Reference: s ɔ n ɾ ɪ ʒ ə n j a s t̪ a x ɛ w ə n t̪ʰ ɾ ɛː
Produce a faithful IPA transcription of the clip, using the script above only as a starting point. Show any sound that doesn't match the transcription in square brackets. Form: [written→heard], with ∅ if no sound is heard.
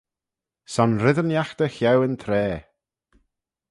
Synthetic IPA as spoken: s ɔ n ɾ ɪ [ʒ→ð] ə n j a [s→x] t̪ [a→ə] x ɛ w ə n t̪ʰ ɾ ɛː